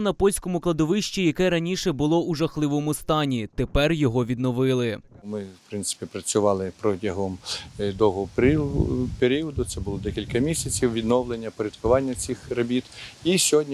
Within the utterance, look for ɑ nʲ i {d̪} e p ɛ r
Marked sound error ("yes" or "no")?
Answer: yes